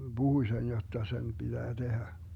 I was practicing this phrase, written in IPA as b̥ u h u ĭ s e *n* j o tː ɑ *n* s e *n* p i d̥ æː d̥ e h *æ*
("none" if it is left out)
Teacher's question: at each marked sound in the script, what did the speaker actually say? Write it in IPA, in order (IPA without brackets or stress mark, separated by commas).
n, none, n, æ